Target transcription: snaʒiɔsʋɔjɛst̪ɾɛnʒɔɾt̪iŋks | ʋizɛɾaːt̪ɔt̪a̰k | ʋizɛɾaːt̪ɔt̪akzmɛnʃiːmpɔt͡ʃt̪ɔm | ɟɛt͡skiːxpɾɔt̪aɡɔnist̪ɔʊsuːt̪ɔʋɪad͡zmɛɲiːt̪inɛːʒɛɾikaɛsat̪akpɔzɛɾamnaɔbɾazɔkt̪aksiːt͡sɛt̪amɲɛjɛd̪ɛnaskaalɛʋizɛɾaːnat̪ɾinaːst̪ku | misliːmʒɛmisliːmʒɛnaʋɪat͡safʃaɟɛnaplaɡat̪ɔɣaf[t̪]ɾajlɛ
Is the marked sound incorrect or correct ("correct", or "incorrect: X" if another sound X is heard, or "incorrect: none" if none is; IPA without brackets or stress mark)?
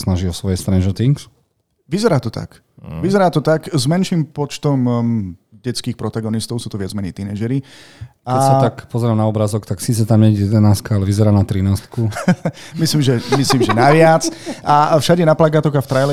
correct